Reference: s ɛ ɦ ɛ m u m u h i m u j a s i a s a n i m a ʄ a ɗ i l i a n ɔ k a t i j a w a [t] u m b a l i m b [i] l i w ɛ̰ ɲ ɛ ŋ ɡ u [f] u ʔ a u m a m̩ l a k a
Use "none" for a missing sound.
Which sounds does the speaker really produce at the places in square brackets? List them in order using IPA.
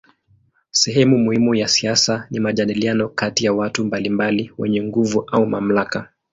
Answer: t, a, v

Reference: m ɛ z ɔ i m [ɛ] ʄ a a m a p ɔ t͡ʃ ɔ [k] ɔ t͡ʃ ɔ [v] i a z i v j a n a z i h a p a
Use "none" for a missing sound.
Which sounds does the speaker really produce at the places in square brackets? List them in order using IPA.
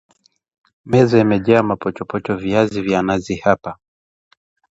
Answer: ɛ, p, v

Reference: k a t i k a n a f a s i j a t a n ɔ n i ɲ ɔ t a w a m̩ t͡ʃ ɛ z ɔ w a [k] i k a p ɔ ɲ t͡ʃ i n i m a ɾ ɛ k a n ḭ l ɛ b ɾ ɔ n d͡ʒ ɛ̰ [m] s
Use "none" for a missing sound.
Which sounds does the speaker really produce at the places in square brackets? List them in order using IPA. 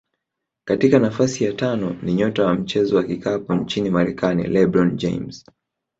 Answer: k, m

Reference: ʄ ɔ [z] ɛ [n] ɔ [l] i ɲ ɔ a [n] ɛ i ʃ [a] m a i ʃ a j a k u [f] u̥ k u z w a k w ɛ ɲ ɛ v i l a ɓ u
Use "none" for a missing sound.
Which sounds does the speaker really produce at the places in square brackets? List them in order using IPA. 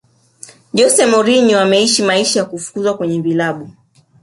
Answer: s, m, ɾ, m, i, f

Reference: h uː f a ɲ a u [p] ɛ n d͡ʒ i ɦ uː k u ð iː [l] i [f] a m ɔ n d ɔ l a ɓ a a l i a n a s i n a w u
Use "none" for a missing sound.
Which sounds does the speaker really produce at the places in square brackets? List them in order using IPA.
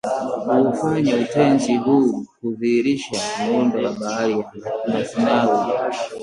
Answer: t, ɾ, ʃ

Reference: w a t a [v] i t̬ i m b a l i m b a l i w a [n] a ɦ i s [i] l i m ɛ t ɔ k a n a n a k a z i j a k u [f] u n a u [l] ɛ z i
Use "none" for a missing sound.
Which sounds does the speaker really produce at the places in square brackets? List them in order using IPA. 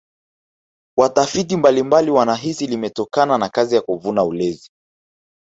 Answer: f, n, i, v, l

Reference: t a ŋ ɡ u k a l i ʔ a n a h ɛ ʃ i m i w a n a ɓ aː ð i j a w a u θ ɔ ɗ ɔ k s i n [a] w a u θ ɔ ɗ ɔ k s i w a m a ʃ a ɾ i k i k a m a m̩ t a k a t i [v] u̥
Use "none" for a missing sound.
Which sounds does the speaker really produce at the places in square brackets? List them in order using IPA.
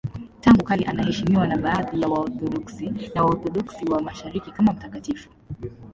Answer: a, f

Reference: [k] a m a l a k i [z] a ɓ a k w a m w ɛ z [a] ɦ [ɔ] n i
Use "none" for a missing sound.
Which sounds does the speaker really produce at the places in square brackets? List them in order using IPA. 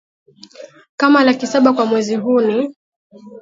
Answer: k, s, i, u

